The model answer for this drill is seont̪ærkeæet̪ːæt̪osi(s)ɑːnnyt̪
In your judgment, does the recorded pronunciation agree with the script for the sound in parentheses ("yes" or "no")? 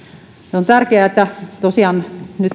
no